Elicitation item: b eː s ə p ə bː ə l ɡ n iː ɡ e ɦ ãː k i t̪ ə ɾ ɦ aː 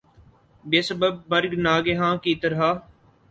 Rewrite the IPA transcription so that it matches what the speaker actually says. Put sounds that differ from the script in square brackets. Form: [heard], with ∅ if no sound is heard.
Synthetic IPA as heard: b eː s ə [b] ə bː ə [ɾ] ɡ n [aː] ɡ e ɦ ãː k i t̪ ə ɾ ɦ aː